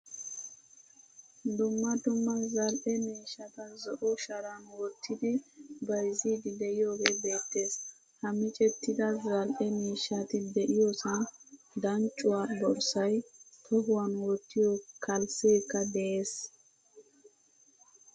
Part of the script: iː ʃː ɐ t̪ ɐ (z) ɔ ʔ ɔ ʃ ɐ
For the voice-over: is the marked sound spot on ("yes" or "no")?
yes